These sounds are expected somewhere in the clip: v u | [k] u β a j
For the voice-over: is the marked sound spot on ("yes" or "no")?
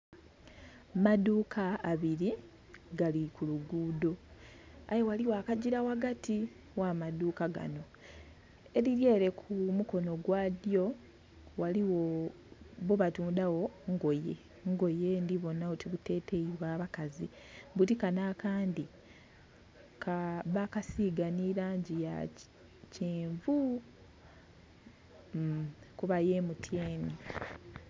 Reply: yes